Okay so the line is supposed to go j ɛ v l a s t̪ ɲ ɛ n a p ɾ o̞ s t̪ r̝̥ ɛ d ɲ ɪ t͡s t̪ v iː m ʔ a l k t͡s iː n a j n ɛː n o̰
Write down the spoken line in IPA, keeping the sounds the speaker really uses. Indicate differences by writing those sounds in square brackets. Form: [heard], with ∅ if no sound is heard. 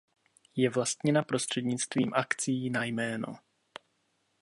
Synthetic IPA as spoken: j ɛ v l a s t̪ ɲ ɛ n a p ɾ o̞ s t̪ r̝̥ ɛ d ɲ ɪ t͡s t̪ v iː m ʔ a [∅] k t͡s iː n a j [m] ɛː n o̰